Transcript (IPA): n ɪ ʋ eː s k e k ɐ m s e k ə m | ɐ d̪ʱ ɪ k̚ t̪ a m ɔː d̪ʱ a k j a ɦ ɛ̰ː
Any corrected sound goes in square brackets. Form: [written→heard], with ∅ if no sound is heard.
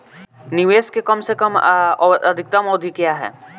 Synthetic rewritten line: n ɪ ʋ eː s k e k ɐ m s e k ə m | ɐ d̪ʱ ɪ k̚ t̪ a m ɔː d̪ʱ [a→i] k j a ɦ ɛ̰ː